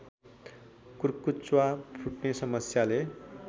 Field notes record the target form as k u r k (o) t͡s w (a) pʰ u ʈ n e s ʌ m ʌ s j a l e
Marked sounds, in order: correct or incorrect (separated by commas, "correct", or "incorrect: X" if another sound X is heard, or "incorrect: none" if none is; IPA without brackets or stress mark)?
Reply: incorrect: u, correct